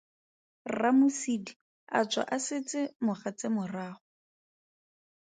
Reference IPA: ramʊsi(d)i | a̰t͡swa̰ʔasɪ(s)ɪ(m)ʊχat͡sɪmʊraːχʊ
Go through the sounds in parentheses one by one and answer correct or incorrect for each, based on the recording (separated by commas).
correct, incorrect, correct